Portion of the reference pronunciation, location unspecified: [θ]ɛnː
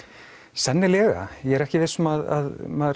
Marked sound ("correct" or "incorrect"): incorrect